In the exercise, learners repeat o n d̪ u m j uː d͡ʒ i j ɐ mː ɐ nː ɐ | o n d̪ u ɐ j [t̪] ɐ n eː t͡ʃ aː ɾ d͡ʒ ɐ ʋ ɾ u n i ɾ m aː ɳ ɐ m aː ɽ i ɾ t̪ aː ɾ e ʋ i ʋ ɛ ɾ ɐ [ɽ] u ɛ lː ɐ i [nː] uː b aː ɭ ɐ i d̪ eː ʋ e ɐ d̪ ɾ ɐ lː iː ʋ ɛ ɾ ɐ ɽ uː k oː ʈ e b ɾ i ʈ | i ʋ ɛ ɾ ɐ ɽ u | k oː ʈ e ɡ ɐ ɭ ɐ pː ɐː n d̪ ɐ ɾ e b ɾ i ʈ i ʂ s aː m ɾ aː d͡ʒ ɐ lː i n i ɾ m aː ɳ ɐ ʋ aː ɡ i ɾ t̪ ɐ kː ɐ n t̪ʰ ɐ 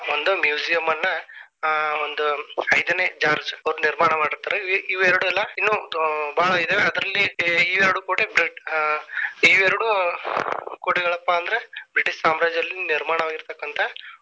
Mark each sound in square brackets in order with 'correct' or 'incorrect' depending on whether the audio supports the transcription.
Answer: incorrect: d̪, correct, correct

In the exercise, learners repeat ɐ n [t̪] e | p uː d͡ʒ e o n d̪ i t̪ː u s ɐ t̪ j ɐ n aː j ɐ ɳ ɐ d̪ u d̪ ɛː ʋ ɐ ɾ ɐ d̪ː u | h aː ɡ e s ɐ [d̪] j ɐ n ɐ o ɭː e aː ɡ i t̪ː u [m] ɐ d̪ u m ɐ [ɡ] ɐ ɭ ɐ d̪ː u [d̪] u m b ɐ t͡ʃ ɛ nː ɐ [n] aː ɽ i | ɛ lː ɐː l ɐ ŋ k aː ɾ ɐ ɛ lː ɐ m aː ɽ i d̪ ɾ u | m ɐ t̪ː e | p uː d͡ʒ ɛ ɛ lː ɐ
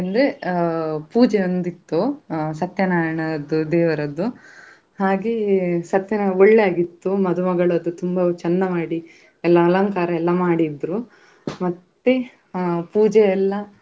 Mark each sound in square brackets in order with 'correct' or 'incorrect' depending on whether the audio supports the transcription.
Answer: incorrect: d̪, incorrect: t̪, correct, correct, incorrect: t̪, incorrect: m

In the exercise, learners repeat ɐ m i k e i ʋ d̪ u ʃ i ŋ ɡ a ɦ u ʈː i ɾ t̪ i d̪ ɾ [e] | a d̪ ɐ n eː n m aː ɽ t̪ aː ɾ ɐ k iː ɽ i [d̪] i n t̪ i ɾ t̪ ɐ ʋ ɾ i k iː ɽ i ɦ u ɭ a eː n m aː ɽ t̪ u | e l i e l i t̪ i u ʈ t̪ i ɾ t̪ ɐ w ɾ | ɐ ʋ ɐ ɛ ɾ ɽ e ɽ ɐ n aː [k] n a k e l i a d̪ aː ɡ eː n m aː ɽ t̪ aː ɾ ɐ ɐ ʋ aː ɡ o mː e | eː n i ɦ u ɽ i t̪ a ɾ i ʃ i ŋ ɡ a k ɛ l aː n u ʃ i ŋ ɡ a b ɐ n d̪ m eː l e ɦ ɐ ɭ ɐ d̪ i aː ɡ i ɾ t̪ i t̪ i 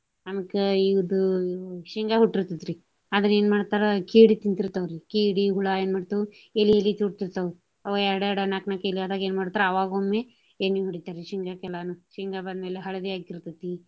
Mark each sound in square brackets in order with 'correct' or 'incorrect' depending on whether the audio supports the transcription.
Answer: incorrect: i, incorrect: t̪, correct

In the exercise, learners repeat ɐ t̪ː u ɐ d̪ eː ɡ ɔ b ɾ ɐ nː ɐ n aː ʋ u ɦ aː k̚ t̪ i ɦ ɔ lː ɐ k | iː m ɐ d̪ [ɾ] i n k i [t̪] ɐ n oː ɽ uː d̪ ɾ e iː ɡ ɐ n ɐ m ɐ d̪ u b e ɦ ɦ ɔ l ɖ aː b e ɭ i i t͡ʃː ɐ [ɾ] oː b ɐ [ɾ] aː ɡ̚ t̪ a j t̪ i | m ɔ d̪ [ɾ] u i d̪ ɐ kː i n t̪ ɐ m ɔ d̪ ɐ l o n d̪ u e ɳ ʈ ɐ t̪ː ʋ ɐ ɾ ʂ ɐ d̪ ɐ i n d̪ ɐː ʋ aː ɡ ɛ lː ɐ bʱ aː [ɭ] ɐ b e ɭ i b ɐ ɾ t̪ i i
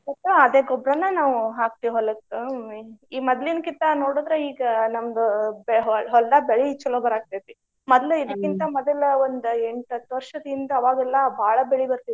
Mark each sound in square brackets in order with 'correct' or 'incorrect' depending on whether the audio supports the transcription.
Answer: incorrect: l, correct, incorrect: l, correct, incorrect: l, correct

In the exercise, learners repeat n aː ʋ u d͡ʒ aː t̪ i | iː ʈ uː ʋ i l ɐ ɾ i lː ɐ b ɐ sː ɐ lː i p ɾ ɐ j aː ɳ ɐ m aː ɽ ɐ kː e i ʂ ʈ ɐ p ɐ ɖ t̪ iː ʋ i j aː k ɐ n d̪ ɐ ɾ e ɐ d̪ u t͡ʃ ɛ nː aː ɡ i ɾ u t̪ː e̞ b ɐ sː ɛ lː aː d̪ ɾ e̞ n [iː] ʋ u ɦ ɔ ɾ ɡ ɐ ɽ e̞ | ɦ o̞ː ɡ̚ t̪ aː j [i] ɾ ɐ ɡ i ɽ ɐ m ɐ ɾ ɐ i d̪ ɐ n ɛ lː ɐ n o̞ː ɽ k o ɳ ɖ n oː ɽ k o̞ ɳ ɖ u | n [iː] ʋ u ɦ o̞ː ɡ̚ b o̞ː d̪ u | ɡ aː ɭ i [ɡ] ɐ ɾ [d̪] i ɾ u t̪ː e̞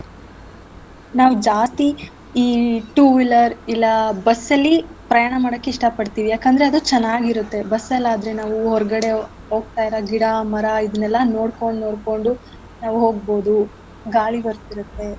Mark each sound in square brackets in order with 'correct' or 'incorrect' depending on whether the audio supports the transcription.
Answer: incorrect: aː, correct, incorrect: aː, incorrect: b, incorrect: t̪

